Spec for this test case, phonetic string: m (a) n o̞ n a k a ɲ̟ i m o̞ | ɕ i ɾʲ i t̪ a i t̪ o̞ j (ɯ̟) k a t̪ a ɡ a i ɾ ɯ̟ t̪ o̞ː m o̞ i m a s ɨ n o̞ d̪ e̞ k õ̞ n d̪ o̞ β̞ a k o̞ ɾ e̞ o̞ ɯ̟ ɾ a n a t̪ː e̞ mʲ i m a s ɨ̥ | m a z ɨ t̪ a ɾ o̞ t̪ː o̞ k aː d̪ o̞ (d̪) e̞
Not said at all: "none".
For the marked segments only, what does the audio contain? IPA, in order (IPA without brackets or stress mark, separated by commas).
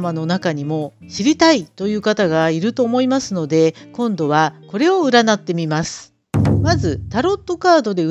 a, ɯ̟ː, d̪